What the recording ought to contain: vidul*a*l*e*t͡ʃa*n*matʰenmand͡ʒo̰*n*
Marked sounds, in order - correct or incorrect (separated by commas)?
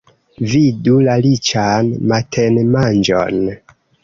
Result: correct, incorrect, correct, correct